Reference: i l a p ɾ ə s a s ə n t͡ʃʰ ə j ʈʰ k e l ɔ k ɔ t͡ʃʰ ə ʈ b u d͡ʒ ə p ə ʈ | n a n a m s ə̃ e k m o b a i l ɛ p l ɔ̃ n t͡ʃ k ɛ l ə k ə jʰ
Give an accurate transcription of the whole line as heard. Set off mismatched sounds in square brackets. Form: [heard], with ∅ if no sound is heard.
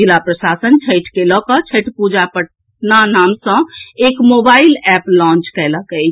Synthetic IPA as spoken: i l a p ɾ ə s a s ə n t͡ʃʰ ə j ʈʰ k e l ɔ k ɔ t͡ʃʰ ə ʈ [p] u d͡ʒ [a] p ə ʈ | n a n a m s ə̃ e k m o b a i l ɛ p l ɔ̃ n t͡ʃ k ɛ l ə k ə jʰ

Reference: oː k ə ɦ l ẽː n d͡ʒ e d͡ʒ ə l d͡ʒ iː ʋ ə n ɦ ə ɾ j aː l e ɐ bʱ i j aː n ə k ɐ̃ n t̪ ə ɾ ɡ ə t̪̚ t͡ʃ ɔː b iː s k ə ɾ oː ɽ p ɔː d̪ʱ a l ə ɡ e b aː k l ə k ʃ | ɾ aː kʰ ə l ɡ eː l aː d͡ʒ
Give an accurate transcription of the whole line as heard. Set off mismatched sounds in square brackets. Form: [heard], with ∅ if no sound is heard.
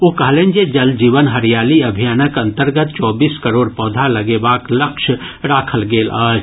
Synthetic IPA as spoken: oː k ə ɦ l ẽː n d͡ʒ e d͡ʒ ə l d͡ʒ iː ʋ ə n ɦ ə ɾ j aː l [i] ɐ bʱ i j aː n ə k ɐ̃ n t̪ ə ɾ ɡ ə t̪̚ t͡ʃ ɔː b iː s k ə ɾ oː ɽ p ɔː d̪ʱ a l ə ɡ e b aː k l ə k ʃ | ɾ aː kʰ ə l ɡ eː l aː d͡ʒ

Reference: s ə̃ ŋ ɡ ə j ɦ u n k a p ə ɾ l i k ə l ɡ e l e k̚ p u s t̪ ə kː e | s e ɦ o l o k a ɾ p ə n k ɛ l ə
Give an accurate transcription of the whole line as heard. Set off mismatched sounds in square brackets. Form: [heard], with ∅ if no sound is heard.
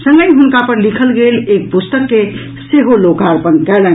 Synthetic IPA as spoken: s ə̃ ŋ ɡ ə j ɦ u n k a p ə ɾ l i [kʰ] ə l ɡ e l e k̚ p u s t̪ ə kː e | s e ɦ o l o k a ɾ p ə n k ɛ l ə

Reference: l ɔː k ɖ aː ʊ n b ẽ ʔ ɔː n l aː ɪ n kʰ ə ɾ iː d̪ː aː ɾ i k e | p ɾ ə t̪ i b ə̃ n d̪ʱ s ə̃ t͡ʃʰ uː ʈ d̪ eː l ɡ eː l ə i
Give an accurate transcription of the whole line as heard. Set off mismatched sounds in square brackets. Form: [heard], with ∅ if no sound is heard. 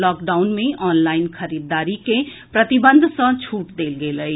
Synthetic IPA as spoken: l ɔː k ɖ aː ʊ n [m] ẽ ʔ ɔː n l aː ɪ n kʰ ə ɾ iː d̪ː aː ɾ i k e | p ɾ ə t̪ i b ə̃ n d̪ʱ s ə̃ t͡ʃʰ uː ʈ d̪ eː l ɡ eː l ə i

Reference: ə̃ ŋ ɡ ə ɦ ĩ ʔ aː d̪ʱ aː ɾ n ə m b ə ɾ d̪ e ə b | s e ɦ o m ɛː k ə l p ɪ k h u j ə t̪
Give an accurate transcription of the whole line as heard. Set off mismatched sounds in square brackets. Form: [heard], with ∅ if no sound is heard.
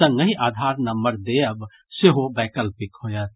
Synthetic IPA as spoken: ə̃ ŋ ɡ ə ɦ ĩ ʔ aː d̪ʱ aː ɾ n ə m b ə ɾ d̪ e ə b | s e ɦ o [b] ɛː k ə l p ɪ k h [o] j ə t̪

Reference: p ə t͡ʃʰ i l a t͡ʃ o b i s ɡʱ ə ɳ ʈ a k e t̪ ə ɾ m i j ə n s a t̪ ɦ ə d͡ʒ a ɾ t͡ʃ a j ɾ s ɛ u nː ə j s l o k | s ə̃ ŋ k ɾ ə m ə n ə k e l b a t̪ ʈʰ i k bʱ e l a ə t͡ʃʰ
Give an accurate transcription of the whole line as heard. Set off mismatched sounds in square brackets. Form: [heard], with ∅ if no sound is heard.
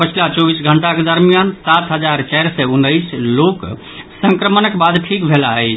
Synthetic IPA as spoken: p ə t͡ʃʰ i l a t͡ʃ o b i s ɡʱ ə ɳ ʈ a k e [d̪] ə ɾ m i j [a] n s a t̪ ɦ ə d͡ʒ a ɾ t͡ʃ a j ɾ s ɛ u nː ə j s l o k | s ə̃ ŋ k ɾ ə m ə n ə k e [∅] b a [d̪] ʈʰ i k bʱ e l a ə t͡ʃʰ

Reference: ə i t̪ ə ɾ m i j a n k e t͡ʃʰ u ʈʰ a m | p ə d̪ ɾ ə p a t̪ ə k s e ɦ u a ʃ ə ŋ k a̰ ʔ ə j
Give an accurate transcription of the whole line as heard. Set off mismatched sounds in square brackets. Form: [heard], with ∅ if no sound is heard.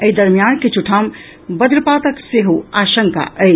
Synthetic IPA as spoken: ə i [d̪] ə ɾ m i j a n k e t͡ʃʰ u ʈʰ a m | [b] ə d̪ ɾ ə p a t̪ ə k s e ɦ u a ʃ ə ŋ k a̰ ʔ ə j

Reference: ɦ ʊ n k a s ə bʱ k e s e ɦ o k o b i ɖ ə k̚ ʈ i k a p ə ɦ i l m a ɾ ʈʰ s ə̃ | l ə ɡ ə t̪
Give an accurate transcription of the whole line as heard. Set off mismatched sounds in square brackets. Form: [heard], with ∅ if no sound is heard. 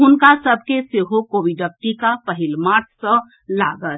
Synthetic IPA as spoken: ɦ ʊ n k a s ə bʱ k e s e ɦ o k o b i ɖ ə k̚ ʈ i k a p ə ɦ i l m a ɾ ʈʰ s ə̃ | l [a] ɡ ə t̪

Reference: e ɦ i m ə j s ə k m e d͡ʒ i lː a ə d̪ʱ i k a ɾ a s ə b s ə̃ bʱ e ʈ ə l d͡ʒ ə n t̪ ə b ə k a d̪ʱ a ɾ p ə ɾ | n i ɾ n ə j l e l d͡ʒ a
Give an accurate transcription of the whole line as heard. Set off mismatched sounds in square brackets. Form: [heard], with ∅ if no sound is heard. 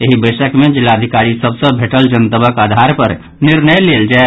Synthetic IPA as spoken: e ɦ i [b] ə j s ə k m e d͡ʒ i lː a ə d̪ʱ i k a ɾ [i] s ə b s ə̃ bʱ e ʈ ə l d͡ʒ ə n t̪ ə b ə k a d̪ʱ a ɾ p ə ɾ | n i ɾ n ə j l e l d͡ʒ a

